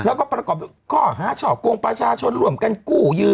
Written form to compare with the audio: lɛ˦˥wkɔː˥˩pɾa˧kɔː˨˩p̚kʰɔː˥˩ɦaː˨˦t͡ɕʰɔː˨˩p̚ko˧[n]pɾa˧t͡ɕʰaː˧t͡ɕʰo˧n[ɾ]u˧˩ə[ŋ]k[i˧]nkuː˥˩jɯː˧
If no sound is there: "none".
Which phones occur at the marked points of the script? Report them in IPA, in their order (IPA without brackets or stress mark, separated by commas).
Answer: ŋ, ɾ, m, a˧